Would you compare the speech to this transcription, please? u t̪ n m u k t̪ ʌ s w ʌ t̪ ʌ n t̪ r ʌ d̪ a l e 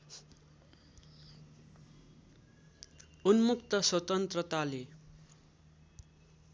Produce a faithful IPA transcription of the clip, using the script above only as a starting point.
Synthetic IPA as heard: u n m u k t̪ ʌ s w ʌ t̪ ʌ n t̪ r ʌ t̪ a l e

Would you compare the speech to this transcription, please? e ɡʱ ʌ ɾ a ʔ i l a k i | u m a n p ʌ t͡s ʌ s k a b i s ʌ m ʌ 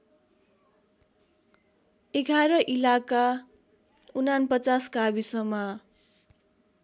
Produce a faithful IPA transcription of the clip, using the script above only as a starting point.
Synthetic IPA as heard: e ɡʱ a ɾ ʌ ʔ i l a k a | u n a n p ʌ t͡s a s k a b i s ʌ m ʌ

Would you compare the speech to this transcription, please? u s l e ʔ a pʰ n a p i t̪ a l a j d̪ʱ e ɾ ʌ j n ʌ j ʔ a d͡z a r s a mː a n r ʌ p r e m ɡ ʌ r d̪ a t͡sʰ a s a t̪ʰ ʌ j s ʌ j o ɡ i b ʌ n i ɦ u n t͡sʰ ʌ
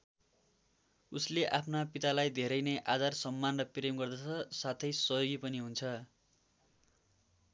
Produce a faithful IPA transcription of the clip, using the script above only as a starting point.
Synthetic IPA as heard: u s l e ʔ a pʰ n a p i t̪ a l a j d̪ʱ e ɾ ʌ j n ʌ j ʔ a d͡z a r s ʌ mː a n r ʌ p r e m ɡ ʌ r d̪ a t͡sʰ ʌ s a t̪ʰ ʌ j s ʌ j o ɡ i p ʌ n i ɦ u n t͡sʰ ʌ

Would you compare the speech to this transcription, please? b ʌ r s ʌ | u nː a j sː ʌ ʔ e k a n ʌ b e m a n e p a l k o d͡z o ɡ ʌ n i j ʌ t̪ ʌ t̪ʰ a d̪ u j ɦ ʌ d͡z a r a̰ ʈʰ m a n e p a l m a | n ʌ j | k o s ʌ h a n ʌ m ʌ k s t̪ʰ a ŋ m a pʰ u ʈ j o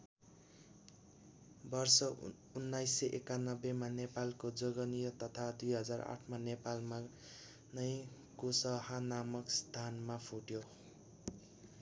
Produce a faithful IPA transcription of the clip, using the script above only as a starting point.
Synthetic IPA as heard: b ʌ r s ʌ | u nː a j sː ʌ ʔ e k a n ʌ b e m a n e p a l k o d͡z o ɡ ʌ n i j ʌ t̪ ʌ t̪ʰ a d̪ u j ɦ ʌ d͡z a r a̰ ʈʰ m a n e p a l m a | n ʌ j | k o s ʌ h a n a m ʌ k s t̪ʰ a n m a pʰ u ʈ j o

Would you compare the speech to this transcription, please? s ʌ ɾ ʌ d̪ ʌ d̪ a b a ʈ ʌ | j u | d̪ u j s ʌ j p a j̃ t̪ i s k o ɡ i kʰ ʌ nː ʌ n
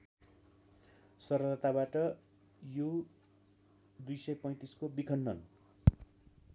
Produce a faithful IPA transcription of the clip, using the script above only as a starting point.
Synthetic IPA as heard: s ʌ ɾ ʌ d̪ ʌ t̪ a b a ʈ ʌ | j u | d̪ u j s ʌ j p ʌ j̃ t̪ i s k o b i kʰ ʌ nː ʌ n

